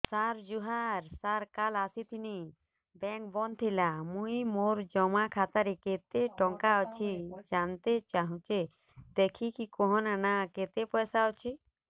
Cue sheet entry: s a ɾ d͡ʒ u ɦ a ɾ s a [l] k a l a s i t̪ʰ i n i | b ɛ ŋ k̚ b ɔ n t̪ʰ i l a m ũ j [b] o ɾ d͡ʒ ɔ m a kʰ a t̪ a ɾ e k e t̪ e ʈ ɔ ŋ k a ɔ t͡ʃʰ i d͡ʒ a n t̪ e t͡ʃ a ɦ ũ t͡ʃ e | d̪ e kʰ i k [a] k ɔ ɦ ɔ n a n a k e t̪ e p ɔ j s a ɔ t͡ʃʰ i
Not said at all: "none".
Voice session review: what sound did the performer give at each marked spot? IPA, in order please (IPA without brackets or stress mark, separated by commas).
ɾ, m, i